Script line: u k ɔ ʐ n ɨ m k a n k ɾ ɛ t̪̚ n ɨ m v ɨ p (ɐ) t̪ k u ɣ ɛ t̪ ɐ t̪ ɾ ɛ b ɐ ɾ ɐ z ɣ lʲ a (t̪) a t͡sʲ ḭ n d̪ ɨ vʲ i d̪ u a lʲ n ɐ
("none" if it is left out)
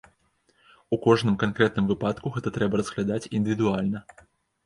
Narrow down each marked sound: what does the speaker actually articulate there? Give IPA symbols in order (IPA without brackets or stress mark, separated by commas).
a, d̪